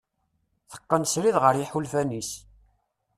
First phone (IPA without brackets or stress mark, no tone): θ